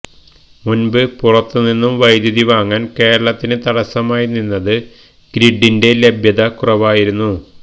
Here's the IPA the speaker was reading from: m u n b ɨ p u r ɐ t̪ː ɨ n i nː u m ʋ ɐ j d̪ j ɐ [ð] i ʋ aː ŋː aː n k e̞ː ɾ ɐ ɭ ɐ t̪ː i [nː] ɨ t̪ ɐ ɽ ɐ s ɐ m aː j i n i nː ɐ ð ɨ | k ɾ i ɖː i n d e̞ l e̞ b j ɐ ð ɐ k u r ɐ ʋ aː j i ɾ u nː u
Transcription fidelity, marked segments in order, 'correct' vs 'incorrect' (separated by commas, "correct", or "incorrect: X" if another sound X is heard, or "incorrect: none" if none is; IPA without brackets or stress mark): correct, incorrect: n